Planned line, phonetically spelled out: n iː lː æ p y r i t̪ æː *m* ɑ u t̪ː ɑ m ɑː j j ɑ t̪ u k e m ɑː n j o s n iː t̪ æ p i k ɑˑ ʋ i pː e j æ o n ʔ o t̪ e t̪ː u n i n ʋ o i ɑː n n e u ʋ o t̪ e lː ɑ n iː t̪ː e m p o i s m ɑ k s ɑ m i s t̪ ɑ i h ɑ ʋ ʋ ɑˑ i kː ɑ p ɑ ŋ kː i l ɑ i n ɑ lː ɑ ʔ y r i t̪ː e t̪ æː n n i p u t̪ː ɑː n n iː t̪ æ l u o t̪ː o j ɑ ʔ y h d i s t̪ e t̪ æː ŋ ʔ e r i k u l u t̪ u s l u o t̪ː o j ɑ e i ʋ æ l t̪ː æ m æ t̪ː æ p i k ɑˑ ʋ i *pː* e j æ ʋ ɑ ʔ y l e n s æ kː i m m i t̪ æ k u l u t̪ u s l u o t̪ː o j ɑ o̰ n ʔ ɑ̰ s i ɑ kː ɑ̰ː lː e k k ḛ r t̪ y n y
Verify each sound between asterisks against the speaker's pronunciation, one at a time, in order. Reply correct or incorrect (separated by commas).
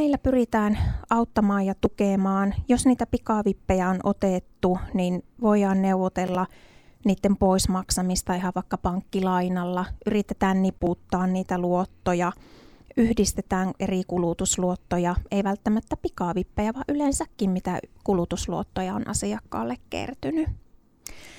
incorrect, correct